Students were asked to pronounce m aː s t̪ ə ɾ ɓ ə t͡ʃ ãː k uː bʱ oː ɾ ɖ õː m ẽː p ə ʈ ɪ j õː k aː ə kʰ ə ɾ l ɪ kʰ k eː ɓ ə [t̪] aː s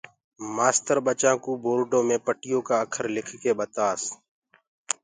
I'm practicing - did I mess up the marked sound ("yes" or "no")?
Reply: no